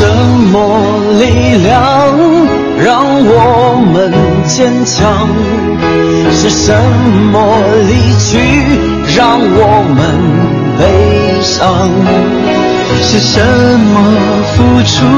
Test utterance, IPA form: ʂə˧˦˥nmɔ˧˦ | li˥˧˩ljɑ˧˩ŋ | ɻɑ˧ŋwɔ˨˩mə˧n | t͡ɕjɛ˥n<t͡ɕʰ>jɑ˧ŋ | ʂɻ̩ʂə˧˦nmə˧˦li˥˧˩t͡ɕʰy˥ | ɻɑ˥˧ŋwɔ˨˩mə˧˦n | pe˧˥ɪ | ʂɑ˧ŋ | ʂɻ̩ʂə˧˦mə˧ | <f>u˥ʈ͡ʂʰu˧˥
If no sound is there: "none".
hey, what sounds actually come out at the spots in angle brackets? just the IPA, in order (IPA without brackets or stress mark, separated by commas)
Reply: t͡ɕʰ, f